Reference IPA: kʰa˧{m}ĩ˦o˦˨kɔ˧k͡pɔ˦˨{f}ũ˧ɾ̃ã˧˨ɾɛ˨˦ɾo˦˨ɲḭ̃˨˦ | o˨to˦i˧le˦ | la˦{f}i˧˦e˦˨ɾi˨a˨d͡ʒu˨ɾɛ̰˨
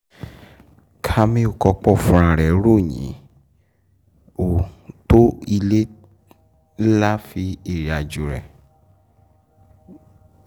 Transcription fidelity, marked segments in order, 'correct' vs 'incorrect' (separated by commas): correct, correct, correct